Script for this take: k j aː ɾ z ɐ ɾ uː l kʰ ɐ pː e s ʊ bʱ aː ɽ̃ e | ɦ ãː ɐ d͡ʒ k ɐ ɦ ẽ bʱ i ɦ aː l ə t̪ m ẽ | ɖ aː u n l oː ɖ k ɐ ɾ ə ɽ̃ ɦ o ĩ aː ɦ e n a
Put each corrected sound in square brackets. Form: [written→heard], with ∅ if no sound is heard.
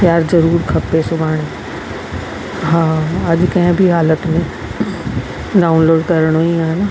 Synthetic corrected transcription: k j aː ɾ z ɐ ɾ uː [l→ɾ] kʰ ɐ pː e s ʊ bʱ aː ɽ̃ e | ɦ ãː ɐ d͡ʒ k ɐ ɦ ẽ bʱ i ɦ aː l ə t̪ m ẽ | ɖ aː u n l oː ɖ k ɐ ɾ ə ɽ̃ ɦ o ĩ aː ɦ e n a